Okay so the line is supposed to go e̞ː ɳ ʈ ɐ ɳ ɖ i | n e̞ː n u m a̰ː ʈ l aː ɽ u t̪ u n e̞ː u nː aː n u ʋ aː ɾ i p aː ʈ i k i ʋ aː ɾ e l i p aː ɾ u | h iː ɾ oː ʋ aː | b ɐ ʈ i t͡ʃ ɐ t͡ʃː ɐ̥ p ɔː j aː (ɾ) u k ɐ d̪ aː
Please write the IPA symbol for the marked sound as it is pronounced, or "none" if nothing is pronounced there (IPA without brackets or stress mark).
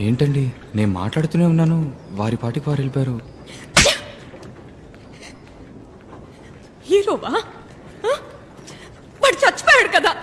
ɽ